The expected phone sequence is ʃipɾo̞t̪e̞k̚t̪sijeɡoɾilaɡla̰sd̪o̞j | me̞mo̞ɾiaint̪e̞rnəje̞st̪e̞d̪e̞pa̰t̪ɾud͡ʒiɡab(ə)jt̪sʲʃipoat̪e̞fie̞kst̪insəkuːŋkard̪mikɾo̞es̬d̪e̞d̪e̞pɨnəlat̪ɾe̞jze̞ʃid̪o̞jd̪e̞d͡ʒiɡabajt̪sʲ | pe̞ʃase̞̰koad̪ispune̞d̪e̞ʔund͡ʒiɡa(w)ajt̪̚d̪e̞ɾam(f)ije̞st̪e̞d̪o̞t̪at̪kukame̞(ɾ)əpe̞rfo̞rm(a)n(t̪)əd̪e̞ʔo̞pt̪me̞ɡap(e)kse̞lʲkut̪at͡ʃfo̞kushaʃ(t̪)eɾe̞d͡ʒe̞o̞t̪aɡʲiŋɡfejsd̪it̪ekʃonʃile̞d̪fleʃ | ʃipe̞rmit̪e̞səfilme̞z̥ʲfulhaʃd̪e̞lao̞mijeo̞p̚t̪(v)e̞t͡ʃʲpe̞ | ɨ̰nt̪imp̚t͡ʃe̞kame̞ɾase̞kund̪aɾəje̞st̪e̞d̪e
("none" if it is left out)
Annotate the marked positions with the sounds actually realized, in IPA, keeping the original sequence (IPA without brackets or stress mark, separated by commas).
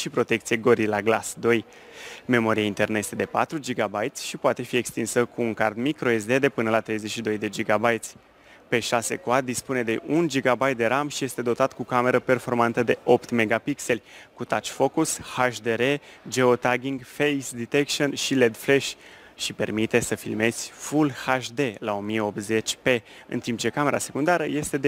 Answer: a, b, ʃ, ɾ, a, t̪, i, d̪, z